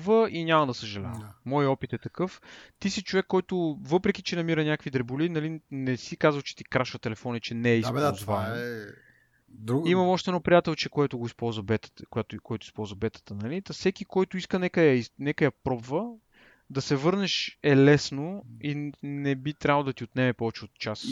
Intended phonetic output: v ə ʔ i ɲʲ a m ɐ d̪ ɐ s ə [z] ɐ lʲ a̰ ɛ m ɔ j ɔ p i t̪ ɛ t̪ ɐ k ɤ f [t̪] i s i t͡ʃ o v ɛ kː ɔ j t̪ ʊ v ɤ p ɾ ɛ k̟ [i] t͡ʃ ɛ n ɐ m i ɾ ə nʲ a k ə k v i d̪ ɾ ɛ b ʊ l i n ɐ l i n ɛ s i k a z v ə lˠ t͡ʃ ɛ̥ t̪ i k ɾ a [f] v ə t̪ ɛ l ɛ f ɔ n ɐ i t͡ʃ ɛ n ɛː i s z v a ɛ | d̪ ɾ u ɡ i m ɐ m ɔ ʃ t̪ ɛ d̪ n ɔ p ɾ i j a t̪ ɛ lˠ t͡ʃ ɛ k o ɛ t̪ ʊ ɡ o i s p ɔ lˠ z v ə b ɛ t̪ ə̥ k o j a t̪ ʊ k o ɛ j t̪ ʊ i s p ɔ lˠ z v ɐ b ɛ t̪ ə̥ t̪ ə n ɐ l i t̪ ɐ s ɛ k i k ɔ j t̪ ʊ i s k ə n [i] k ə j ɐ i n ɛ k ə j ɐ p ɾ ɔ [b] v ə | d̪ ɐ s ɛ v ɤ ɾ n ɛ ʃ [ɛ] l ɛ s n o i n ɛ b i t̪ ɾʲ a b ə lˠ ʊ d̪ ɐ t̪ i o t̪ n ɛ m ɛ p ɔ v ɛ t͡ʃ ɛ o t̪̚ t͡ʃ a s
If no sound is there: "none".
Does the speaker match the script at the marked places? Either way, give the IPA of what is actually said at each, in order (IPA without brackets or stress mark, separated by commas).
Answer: ʒ, t̪, i, ʃ, ɛ, b, ɛ